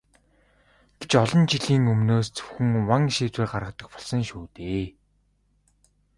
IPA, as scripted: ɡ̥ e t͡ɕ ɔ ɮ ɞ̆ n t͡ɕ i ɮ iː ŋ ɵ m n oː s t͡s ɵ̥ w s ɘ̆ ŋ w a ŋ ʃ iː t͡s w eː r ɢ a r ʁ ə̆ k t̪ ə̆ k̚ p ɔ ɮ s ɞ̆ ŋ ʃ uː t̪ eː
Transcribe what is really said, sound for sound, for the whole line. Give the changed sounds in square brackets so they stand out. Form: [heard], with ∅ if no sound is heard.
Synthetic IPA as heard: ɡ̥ e t͡ɕ ɔ ɮ ɞ̆ n t͡ɕ i ɮ iː ŋ ɵ m n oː s t͡s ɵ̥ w [x] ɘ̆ ŋ w a ŋ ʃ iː t͡s w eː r ɢ a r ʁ ə̆ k t̪ ə̆ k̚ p ɔ ɮ s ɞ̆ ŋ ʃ uː t̪ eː